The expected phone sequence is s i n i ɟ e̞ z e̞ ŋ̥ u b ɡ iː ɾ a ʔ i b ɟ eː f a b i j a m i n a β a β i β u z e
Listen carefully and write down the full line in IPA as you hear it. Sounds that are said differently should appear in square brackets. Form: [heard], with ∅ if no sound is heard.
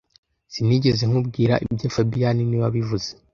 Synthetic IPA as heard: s i n i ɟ e̞ z e̞ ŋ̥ u b ɡ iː ɾ a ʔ i b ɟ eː f a b i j a [n] i n [i] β a β i [v] u z e